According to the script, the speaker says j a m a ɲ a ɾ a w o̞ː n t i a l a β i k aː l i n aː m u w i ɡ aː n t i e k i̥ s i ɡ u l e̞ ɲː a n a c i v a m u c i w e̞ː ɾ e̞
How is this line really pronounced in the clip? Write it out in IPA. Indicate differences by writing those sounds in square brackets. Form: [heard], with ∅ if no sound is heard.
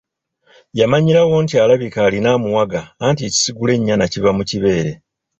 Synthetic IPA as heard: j a m a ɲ [i] ɾ a w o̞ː n t i a l a β i k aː l i n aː m u w [a] ɡ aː n t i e [c] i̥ s i ɡ u l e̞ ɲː a n a c i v a m u c i [β] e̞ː ɾ e̞